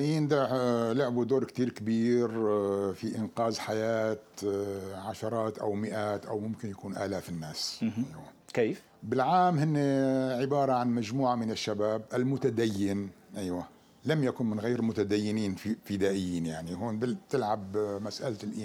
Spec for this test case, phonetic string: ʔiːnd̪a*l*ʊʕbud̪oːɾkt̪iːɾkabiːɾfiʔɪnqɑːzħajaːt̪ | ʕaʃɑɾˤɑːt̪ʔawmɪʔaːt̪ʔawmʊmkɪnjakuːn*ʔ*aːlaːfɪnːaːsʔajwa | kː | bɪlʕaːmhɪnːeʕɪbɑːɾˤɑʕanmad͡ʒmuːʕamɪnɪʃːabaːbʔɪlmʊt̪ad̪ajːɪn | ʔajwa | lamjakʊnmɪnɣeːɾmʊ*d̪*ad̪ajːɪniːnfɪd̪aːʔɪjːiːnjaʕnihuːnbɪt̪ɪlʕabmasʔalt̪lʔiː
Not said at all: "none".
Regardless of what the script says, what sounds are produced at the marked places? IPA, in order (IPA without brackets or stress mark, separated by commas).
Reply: l, ʔ, t̪